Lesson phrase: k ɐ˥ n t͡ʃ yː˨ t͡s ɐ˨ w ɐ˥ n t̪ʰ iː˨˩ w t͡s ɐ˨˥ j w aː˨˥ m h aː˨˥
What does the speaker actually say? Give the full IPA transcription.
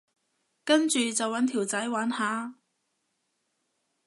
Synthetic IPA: k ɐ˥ n t͡ʃ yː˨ t͡s ɐ˨ w ɐ˨˥ n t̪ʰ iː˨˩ w t͡s ɐ˨˥ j w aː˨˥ n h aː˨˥